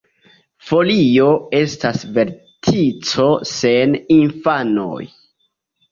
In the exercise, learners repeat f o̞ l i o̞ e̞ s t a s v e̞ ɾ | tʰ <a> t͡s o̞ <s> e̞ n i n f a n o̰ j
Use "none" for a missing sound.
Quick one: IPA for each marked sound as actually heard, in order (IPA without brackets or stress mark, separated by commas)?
i, s